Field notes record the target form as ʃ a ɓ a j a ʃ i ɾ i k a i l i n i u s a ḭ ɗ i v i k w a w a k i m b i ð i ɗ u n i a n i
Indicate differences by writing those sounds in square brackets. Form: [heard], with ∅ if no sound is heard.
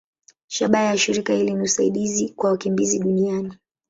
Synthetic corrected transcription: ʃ a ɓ a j a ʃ i ɾ i k a i l i n i u s a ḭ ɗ i [z] i k w a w a k i m b i [z] i ɗ u n i a n i

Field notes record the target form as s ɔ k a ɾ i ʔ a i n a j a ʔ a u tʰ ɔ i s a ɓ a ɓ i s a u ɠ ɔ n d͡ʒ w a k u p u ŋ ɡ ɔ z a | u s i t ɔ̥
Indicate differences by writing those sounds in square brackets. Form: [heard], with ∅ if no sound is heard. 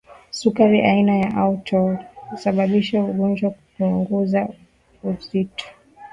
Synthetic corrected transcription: s [u] k a ɾ i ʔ a i n a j a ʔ a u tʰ ɔ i s a ɓ a ɓ i [ʃ] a u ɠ ɔ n d͡ʒ w a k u p u ŋ ɡ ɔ z a | u [z] i t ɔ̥

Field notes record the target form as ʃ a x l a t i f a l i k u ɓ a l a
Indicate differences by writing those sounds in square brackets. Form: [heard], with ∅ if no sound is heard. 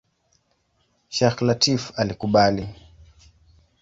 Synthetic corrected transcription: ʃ a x l a t i f a l i k u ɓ a l [i]

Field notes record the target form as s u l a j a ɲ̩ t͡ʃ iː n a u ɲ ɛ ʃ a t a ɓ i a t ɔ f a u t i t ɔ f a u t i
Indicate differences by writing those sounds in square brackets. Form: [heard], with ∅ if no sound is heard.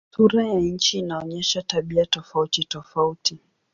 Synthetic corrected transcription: s u [ɾ] a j a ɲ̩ t͡ʃ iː n a [ɔ] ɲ ɛ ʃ a t a ɓ i a t ɔ f a u t i t ɔ f a u t i

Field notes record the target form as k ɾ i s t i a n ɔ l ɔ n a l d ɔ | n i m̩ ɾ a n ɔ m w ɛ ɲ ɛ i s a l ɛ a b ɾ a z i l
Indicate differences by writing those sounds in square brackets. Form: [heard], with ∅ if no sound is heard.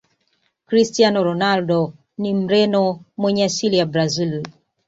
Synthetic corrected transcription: k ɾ i s t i a n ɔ [ɾ] ɔ n a l d ɔ | n i m̩ ɾ [ɛ] n ɔ m w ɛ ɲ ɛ [a] s [i] l [i] a b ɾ a z i l

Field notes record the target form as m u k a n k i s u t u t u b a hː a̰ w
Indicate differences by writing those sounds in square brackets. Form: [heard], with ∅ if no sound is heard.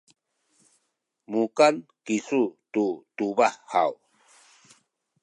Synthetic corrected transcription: m u k a n k i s u t u t u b a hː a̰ w

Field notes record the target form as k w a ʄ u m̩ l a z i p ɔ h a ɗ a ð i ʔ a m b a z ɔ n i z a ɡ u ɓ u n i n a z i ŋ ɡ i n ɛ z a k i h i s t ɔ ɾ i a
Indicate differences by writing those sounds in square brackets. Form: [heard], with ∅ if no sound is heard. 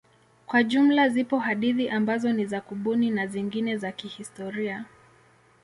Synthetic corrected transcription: k w a ʄ u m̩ l a z i p ɔ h a ɗ [i] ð i ʔ a m b a z ɔ n i z a [k] u ɓ u n i n a z i ŋ ɡ i n ɛ z a k i h i s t ɔ ɾ i a

